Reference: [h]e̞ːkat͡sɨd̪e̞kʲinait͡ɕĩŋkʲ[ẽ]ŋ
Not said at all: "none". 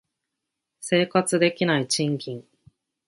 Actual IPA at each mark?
s, ĩ

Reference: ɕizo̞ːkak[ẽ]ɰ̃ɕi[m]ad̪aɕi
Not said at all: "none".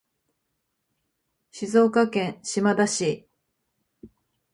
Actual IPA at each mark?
ẽ, m

